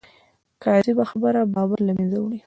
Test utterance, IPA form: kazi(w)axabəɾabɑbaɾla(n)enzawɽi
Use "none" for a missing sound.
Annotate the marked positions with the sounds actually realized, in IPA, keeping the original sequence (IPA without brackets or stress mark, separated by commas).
b, m